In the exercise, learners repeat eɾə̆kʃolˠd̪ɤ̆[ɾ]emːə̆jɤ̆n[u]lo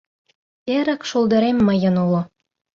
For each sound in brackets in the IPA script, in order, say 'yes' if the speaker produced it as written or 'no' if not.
yes, yes

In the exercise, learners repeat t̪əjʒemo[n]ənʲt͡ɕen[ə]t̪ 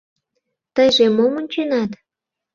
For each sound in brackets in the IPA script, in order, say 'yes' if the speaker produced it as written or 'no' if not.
no, no

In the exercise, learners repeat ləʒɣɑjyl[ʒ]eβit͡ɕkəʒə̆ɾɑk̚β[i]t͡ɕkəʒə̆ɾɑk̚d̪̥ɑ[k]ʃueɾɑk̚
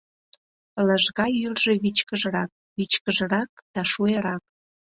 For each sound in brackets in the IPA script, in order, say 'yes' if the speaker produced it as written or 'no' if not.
yes, yes, no

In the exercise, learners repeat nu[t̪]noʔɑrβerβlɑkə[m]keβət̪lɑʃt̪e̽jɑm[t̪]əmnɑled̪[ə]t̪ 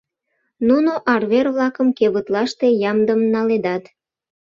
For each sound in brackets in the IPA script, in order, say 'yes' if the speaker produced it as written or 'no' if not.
no, yes, no, no

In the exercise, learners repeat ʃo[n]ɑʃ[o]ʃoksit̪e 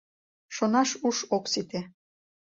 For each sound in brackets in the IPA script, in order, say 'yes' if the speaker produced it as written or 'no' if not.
yes, no

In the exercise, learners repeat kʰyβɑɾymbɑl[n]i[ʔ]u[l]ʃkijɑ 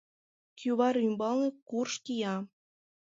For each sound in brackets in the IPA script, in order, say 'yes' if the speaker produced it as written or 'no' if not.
yes, no, no

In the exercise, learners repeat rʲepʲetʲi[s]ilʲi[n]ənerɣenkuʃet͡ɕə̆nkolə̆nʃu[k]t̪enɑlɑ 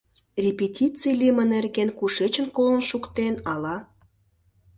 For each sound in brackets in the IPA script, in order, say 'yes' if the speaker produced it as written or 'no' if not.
no, no, yes

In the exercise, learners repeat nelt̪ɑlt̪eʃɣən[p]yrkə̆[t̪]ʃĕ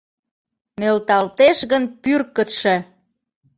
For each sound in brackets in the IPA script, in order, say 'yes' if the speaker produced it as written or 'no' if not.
yes, yes

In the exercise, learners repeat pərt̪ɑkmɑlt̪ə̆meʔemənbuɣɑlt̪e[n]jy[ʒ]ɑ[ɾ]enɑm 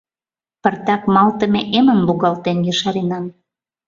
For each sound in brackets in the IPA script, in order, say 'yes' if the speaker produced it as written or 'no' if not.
yes, no, yes

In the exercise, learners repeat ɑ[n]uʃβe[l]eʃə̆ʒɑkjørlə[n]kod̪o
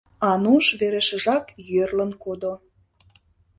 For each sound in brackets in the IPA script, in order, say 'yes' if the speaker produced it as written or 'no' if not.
yes, no, yes

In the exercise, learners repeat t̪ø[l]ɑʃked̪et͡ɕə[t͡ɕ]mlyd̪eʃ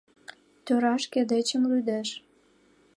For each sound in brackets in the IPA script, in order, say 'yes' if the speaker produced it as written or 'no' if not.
no, no

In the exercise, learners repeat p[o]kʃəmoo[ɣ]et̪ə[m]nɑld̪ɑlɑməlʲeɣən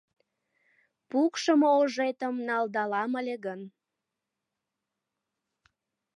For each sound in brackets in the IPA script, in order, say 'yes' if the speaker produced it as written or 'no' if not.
no, no, yes

